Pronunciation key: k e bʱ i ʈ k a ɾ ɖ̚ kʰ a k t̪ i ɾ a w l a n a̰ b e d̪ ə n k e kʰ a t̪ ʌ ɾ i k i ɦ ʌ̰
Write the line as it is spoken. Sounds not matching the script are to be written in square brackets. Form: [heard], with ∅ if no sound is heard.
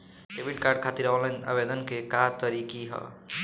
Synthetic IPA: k e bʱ i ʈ k a ɾ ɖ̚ kʰ a [∅] t̪ i ɾ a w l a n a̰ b e d̪ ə n k e [k] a t̪ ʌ ɾ i k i ɦ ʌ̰